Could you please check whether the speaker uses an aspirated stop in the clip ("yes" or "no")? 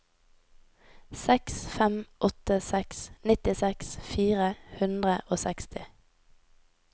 no